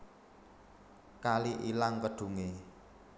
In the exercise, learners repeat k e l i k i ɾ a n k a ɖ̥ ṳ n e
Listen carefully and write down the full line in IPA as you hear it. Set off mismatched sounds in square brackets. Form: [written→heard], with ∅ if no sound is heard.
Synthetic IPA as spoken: k [e→a] l i [k→ʔ] i [ɾ→l] a [n→ŋ] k [a→ə] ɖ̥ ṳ [n→ŋ] e